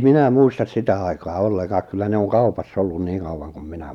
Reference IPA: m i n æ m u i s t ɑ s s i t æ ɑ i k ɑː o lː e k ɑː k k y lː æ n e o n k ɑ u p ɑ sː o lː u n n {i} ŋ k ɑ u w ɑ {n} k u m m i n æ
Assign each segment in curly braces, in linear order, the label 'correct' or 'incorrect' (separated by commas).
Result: incorrect, incorrect